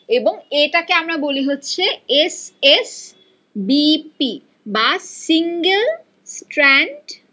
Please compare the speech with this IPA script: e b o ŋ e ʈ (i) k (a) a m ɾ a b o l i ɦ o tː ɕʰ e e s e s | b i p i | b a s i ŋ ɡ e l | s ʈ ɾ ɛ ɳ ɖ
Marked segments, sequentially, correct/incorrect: incorrect, incorrect

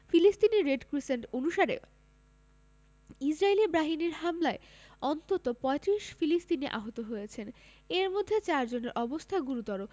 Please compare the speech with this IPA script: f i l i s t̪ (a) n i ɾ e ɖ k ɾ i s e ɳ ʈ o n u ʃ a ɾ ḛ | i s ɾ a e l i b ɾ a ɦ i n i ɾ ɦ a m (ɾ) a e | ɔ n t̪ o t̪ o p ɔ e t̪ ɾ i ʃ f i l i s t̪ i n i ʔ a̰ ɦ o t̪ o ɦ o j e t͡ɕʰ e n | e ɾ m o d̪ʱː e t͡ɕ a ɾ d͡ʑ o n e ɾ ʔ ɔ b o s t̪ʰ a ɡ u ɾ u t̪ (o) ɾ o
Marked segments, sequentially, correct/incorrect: incorrect, incorrect, incorrect

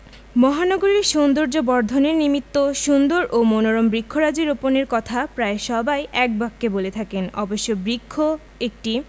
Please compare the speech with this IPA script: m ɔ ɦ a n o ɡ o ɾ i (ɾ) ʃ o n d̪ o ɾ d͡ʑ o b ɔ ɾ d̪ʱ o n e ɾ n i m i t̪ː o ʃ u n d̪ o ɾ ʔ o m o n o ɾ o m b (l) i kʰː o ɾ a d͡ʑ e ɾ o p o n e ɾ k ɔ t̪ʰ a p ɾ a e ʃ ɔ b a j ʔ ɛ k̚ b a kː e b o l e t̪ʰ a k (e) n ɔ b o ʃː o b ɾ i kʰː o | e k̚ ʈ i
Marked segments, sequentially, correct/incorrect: correct, incorrect, correct

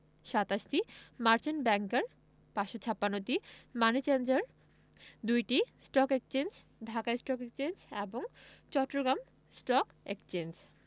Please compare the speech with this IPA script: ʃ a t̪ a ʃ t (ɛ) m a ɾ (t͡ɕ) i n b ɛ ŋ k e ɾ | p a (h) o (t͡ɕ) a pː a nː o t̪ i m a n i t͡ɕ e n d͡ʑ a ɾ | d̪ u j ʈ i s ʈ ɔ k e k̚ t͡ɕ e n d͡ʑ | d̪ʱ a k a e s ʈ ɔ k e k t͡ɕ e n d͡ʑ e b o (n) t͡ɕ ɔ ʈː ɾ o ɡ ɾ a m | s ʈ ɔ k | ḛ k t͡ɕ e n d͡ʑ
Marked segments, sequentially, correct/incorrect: incorrect, correct, incorrect, incorrect, incorrect

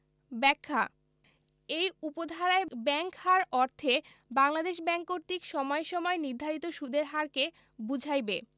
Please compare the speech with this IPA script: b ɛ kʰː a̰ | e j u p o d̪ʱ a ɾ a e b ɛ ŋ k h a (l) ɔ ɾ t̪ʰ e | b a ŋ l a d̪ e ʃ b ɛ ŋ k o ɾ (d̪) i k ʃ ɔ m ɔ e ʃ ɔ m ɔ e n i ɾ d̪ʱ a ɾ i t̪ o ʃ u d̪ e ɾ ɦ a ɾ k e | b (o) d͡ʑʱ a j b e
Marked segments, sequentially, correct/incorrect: incorrect, incorrect, incorrect

